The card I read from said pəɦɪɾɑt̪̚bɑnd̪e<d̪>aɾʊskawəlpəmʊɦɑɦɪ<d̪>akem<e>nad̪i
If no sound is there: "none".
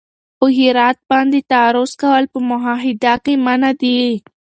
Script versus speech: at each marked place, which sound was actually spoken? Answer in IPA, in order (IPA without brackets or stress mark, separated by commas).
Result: t̪, d̪, a